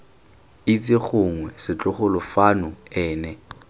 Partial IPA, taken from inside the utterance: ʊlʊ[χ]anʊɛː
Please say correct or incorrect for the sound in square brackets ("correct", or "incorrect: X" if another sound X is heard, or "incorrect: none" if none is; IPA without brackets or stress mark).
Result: incorrect: f